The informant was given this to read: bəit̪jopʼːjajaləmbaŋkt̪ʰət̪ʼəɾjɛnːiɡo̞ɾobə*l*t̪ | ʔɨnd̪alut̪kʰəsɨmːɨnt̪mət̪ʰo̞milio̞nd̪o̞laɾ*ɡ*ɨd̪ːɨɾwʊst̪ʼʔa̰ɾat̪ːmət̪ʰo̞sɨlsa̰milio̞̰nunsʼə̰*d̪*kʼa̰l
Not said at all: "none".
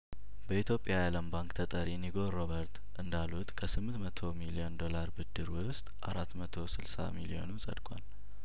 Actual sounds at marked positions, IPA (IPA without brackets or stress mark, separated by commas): ɾ, b, d̪